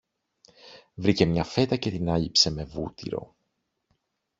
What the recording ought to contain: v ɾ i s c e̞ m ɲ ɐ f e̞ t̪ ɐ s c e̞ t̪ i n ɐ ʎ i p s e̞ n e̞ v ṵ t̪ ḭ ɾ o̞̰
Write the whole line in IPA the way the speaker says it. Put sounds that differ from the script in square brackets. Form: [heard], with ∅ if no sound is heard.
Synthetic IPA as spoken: v ɾ i [∅] c e̞ m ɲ ɐ f e̞ t̪ ɐ [∅] c e̞ t̪ i n ɐ ʎ i p s e̞ [m] e̞ v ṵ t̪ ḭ ɾ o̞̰